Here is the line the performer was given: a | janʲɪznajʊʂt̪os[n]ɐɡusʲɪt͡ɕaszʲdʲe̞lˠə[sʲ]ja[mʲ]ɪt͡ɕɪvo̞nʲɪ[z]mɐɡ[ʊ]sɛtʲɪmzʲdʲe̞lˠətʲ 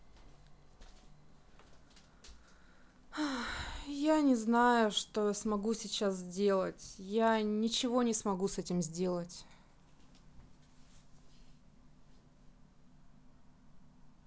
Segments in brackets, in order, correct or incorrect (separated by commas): incorrect, incorrect, incorrect, incorrect, incorrect